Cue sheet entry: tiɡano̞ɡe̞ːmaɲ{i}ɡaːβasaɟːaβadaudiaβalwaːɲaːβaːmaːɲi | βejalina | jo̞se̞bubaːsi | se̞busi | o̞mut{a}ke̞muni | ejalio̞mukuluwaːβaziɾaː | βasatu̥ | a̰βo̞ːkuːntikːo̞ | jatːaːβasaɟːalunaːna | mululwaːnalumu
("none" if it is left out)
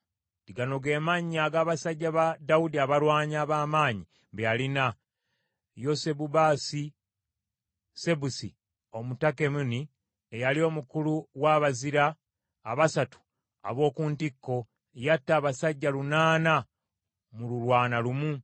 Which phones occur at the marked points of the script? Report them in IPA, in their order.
a, a

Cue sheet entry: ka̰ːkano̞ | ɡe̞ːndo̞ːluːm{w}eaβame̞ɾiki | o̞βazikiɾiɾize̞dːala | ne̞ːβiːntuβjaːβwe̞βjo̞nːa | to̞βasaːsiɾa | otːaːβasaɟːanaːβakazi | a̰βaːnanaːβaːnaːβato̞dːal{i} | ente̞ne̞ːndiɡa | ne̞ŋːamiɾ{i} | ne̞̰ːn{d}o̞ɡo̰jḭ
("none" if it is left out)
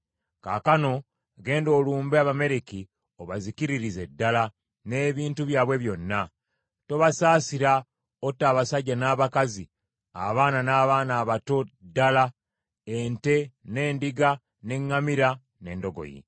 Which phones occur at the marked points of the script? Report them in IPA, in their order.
b, a, a, d

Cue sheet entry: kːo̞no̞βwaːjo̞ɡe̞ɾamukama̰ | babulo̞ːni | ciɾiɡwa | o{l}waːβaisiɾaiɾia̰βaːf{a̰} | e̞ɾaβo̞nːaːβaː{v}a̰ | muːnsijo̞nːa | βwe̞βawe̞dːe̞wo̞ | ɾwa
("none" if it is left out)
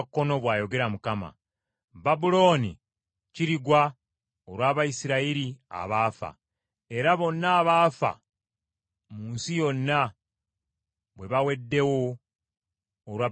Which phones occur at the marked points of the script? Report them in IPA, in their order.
ɾ, a̰, f

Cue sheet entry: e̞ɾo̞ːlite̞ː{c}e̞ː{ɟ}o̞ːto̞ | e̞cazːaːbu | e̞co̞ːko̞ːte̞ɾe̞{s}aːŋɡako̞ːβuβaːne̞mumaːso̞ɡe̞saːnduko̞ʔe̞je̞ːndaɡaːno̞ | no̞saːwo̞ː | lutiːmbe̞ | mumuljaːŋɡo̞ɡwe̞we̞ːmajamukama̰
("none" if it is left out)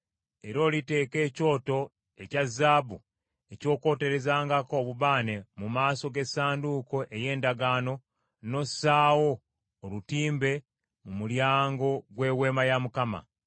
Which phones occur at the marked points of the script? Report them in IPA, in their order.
k, c, z

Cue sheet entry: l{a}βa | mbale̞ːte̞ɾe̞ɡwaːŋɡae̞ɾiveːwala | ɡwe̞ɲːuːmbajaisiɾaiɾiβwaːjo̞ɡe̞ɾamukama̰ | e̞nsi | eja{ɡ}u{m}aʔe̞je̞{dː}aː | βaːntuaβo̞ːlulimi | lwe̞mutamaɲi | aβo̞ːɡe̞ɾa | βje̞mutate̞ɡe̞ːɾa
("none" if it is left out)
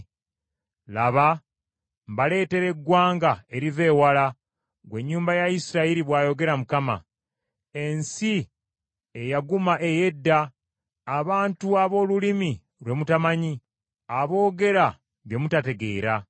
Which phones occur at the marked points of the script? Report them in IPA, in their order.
a, ɡ, m, dː

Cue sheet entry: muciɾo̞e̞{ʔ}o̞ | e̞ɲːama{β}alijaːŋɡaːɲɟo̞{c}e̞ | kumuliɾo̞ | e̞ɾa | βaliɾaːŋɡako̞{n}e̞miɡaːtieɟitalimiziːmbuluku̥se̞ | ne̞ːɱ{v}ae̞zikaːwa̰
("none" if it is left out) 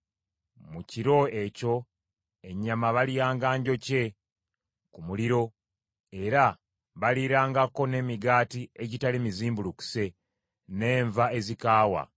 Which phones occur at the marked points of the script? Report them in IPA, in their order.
c, β, c, n, v

